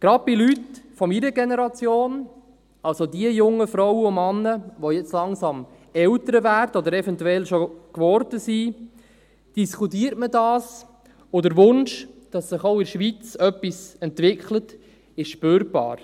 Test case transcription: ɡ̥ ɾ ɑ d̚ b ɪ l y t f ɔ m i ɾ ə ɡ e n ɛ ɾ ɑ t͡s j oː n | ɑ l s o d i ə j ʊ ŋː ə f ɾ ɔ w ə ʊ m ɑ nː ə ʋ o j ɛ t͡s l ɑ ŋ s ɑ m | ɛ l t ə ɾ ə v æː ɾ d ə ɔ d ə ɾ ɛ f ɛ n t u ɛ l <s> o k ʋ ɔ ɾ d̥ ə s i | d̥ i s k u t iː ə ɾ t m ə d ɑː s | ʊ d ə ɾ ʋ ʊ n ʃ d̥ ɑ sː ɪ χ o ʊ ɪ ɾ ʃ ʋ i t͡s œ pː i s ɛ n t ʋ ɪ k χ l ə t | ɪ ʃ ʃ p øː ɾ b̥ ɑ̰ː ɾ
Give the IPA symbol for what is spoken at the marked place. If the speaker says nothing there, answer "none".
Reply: ʃ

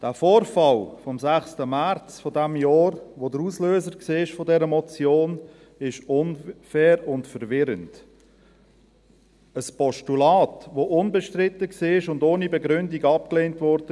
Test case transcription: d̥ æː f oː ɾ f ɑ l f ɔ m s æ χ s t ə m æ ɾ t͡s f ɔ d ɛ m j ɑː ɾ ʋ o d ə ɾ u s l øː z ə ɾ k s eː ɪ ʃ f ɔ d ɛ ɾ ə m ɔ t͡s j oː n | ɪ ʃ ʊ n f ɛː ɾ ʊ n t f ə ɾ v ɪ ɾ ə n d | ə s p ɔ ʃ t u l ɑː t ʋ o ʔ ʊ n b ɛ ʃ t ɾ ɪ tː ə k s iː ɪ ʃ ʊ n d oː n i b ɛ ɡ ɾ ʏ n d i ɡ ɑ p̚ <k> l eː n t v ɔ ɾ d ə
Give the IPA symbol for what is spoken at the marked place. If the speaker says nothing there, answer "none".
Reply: k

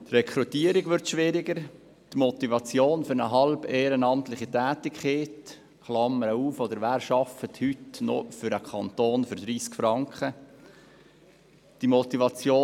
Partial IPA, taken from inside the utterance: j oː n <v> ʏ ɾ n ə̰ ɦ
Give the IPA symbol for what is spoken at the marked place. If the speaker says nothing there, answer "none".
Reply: f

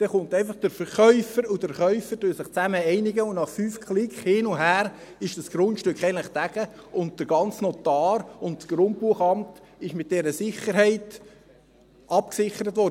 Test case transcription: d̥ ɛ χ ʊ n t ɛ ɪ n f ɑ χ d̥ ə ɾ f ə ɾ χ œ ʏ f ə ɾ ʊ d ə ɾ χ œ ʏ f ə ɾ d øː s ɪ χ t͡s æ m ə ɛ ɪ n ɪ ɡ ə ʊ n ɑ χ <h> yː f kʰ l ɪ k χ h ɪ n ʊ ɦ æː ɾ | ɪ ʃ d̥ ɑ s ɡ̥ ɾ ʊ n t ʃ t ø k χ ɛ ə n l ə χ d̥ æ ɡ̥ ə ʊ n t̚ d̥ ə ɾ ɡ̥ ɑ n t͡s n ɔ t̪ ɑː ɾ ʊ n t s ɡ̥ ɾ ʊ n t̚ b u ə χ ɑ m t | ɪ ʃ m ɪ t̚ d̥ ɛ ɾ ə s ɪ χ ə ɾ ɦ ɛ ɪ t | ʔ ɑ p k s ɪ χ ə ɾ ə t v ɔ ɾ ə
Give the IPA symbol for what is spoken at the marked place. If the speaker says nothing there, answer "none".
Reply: f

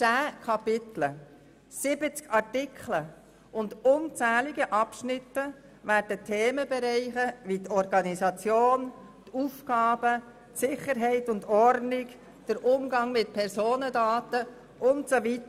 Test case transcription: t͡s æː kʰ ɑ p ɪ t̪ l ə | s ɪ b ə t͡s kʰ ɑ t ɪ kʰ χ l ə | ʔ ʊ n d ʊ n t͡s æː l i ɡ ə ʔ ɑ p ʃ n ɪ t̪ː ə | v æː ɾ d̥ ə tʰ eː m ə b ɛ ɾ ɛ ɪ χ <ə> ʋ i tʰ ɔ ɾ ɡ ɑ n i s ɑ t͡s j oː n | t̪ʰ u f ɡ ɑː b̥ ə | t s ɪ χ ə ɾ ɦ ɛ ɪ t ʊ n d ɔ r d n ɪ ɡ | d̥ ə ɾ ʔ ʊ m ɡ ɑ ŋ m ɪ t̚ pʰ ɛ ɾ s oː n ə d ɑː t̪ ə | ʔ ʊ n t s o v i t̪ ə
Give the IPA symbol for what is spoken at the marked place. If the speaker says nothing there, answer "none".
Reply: ə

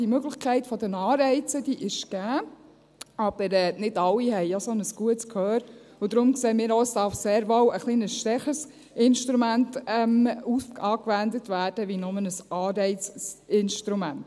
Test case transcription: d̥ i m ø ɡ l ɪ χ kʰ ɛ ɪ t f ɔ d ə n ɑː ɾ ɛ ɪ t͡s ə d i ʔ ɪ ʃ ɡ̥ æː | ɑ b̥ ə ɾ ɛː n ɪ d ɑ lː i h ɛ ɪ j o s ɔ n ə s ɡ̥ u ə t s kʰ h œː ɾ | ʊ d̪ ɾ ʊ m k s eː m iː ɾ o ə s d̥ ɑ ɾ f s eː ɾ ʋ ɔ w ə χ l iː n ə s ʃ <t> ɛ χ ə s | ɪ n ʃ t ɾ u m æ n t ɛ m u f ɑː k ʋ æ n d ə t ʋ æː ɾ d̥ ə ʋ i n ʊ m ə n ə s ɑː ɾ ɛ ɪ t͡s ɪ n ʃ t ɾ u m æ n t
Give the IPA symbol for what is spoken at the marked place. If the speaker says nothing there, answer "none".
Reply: t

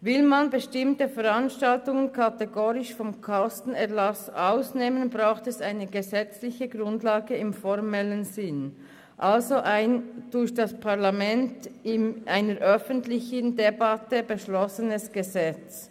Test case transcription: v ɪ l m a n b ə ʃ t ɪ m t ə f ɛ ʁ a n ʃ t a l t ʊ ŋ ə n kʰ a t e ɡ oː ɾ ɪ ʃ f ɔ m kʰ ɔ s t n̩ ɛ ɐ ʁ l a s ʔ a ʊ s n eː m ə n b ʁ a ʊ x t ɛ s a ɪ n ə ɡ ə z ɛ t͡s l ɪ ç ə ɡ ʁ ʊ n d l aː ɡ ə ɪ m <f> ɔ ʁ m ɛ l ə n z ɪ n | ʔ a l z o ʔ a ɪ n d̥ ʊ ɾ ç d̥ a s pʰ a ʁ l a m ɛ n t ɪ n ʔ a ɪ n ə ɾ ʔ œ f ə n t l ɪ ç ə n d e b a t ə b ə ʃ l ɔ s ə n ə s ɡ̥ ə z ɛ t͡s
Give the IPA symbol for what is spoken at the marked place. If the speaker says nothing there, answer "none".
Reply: f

